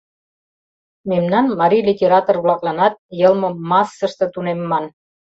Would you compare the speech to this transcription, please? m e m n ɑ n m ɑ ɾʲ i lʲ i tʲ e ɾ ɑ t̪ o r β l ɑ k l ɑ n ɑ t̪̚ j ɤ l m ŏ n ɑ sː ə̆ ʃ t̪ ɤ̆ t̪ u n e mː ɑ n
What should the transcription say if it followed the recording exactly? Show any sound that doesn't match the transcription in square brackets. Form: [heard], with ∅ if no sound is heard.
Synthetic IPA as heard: m e m n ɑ n m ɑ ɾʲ i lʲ i tʲ e ɾ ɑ t̪ o r β l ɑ k l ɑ n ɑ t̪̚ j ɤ l m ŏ [m] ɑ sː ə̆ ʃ t̪ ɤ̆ t̪ u n e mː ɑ n